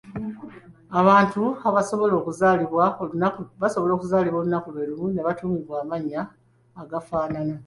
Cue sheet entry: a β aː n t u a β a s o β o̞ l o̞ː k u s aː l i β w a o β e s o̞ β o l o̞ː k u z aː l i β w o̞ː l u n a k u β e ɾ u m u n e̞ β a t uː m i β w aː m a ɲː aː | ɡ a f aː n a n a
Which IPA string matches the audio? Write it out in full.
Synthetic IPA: a β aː n t u a β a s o β o̞ l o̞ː k u z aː l i β w a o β a s o̞ β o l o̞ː k u z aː l i β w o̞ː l u n a k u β e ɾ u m u n e̞ β a t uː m i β w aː m a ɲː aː | ɡ a f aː n a n a